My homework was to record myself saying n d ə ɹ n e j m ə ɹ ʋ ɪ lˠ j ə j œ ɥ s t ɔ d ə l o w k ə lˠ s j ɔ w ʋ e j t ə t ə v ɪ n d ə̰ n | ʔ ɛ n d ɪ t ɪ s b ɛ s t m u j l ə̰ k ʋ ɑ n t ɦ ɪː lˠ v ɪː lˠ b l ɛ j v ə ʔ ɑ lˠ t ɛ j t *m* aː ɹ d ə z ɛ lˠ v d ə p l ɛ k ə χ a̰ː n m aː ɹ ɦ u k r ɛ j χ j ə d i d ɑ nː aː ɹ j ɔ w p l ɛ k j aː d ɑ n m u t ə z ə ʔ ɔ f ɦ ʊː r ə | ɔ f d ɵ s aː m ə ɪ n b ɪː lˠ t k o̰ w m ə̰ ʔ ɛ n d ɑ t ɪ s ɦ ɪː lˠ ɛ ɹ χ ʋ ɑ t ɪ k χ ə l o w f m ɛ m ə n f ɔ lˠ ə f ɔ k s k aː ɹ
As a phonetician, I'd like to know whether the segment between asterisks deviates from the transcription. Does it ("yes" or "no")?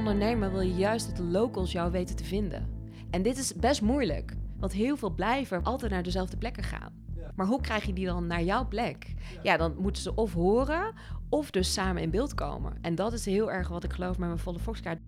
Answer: yes